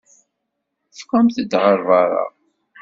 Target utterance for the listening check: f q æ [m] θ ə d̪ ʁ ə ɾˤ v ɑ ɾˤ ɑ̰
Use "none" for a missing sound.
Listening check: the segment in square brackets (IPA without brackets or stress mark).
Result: m